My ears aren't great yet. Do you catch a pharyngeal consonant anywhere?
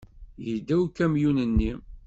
no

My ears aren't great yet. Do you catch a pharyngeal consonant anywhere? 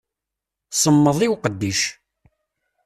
no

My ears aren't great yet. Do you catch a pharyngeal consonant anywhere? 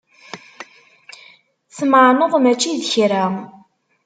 yes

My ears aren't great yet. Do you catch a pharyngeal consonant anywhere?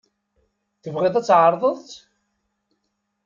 yes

